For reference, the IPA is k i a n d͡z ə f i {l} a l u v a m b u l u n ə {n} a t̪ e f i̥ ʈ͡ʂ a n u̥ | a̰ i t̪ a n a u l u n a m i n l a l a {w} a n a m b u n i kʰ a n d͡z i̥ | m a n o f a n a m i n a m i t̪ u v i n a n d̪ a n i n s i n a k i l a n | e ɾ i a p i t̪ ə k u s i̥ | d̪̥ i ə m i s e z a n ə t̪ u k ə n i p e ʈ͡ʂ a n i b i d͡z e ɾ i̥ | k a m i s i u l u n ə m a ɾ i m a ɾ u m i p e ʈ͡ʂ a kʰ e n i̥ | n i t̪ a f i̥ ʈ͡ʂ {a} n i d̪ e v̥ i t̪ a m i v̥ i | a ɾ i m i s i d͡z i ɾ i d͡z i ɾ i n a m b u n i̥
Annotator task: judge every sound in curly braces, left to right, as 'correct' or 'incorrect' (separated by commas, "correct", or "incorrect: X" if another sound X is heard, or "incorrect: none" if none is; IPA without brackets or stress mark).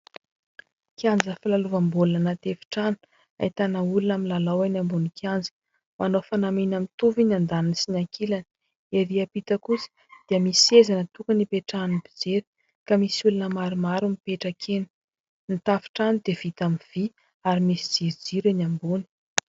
correct, correct, correct, correct